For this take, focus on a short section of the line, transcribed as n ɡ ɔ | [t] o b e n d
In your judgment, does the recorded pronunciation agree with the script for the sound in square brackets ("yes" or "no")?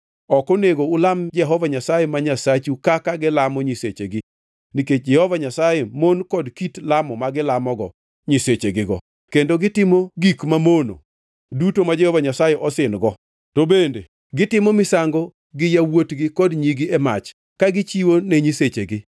yes